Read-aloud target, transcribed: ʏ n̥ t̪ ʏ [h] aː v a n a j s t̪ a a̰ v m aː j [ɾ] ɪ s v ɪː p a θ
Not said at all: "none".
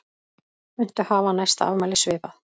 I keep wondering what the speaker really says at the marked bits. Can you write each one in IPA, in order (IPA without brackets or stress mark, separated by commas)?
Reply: h, l